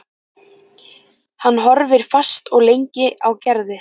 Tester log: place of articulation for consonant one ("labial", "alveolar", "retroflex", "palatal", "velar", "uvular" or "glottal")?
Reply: glottal